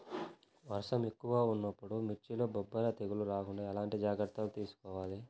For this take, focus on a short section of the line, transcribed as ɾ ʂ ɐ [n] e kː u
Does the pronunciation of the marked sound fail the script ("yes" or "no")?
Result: yes